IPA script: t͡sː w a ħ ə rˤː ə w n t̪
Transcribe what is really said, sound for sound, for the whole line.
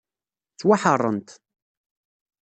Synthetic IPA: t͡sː w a ħ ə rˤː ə n t̪

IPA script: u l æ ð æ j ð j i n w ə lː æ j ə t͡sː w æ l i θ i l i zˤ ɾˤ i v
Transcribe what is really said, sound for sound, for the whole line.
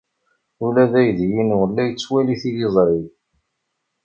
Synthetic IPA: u l æ ð æ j ð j i n w ə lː æ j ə t͡sː w æ l i θ i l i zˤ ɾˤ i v

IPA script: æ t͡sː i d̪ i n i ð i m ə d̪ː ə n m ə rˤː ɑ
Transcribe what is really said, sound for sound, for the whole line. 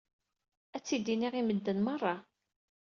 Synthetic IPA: æ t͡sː i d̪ i n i ʁ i m ə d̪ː ə n m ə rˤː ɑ

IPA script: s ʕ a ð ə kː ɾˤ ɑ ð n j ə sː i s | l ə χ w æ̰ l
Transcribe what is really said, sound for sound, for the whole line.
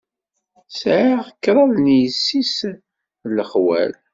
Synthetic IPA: s ʕ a ʁ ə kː ɾˤ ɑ ð n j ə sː i s | l ə χ w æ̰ l

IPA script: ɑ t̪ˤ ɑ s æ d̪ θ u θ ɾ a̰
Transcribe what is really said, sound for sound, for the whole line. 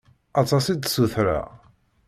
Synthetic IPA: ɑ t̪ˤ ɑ s i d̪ s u θ ɾ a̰

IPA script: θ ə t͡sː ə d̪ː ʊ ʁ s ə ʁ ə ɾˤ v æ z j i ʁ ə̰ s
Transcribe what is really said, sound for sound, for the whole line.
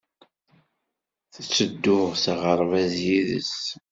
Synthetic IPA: θ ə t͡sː ə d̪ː ʊ ʁ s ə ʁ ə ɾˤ v æ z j i ð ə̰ s

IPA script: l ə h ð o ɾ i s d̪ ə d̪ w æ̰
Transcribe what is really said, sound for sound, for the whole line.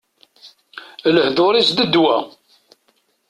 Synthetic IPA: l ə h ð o ɾ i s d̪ ə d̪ w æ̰

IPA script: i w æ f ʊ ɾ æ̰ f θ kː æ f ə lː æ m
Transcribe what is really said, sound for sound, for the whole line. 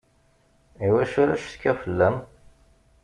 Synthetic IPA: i w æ ʃ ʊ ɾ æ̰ ʃ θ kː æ f ə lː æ m

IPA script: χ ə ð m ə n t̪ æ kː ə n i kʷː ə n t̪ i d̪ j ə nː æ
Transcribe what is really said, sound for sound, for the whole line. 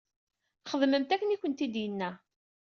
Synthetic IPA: χ ə ð m ə m t̪ æ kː ə n i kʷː ə n t̪ i d̪ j ə nː æ

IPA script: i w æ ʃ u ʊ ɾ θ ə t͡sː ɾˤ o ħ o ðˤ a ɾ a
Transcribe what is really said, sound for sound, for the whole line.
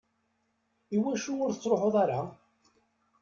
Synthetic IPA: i w æ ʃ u ʊ ɾ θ ə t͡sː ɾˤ o ħ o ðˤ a ɾ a

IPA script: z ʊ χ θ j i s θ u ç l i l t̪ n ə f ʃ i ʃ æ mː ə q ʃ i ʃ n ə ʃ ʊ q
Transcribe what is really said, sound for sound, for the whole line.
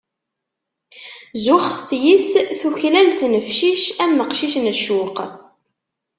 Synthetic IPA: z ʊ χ θ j i s θ u ç l æ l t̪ n ə f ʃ i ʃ æ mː ə q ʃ i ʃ n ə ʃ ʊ q

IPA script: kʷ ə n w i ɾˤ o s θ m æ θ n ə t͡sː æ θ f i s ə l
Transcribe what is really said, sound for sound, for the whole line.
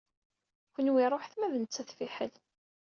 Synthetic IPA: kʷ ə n w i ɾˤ o ħ θ m æ ð n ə t͡sː æ θ f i ħ ə l

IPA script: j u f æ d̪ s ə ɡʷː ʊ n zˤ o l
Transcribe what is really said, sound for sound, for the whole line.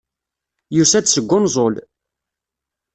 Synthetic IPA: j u s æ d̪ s ə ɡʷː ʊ n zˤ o l

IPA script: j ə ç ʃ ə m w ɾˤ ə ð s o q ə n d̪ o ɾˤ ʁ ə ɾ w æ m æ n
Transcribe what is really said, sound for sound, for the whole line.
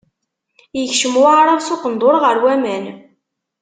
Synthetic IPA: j ə ç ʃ ə m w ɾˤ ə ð s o q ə n d̪ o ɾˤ ʁ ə ɾ w æ m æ n

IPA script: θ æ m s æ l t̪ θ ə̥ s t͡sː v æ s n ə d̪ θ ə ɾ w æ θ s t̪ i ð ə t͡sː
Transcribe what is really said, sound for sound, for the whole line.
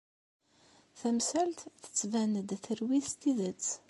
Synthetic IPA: θ æ m s æ l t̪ θ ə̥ t͡sː v æ n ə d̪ θ ə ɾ w i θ s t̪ i ð ə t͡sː

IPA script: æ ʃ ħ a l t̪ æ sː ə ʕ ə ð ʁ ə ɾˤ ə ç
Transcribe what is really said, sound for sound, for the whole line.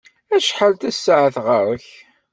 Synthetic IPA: æ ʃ ħ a l t̪ æ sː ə ʕ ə θ ʁ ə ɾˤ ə ç

